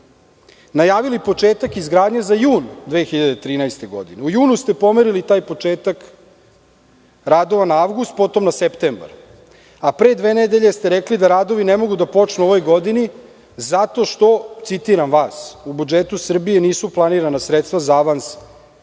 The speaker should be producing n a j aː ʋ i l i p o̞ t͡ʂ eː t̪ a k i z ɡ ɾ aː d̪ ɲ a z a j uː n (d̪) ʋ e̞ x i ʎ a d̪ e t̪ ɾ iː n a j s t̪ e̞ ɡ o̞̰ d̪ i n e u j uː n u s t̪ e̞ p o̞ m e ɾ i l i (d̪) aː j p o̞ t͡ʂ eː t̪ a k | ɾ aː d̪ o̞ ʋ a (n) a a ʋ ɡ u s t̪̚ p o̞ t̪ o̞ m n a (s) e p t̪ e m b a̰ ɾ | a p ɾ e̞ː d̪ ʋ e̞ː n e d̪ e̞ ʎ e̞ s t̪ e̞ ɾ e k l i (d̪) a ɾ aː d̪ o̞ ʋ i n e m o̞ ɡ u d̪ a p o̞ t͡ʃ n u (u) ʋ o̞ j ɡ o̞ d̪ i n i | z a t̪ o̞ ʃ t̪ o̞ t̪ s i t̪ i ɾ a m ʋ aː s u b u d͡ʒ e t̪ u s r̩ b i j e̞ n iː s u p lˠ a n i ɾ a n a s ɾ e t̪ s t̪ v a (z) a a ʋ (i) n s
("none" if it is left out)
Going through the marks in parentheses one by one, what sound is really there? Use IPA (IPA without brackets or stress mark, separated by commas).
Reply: d̪, t̪, n, s, d̪, o, z, a